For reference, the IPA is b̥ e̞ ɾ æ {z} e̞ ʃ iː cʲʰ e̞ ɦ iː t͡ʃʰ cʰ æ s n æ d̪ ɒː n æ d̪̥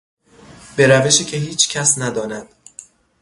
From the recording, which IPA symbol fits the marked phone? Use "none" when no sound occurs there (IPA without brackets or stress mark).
v